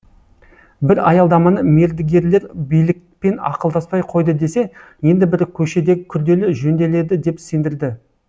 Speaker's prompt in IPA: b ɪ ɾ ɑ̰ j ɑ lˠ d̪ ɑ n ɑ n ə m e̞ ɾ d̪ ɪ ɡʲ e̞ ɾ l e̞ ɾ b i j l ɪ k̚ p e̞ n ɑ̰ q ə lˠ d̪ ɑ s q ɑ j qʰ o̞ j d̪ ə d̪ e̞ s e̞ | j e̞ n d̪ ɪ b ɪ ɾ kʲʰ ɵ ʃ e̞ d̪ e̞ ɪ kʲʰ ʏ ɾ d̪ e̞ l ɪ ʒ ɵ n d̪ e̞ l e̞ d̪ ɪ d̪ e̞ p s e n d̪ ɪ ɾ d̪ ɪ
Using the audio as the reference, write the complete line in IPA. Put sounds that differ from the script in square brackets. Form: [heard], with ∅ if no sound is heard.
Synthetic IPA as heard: b ɪ ɾ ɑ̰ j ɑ lˠ d̪ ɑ [m] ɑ n ə m e̞ ɾ d̪ ɪ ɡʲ e̞ ɾ l e̞ ɾ b i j l ɪ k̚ p e̞ n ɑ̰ q ə lˠ d̪ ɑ s [p] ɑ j qʰ o̞ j d̪ ə d̪ e̞ s e̞ | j e̞ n d̪ ɪ b ɪ ɾ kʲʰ ɵ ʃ e̞ d̪ e̞ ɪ kʲʰ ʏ ɾ d̪ e̞ l ɪ ʒ ɵ n d̪ e̞ l e̞ d̪ ɪ d̪ e̞ p s e n d̪ ɪ ɾ d̪ ɪ